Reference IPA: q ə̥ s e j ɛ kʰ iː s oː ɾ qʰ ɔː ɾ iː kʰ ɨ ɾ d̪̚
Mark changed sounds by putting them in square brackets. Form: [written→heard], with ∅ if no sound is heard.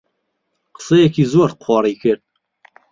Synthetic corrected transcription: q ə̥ s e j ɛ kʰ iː [s→z] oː ɾ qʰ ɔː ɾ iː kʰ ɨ ɾ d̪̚